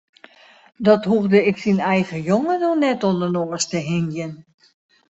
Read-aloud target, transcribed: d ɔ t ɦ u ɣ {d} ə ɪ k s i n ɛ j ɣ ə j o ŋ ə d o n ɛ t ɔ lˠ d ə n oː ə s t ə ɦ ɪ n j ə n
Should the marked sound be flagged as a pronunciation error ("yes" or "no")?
no